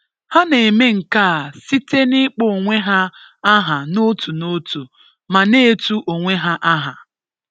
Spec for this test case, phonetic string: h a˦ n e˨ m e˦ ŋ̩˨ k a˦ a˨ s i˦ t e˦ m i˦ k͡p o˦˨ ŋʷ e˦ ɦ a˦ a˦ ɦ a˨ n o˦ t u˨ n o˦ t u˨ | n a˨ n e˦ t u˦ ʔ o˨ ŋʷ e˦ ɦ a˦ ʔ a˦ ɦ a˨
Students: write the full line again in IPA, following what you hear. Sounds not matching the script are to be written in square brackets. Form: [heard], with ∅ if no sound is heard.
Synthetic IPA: h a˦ n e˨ m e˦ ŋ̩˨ k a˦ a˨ s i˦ t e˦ [n] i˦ k͡p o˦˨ ŋʷ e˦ ɦ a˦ a˦ ɦ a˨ n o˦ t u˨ n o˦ t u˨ | [m] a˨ n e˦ t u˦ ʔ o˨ ŋʷ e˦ ɦ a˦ ʔ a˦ ɦ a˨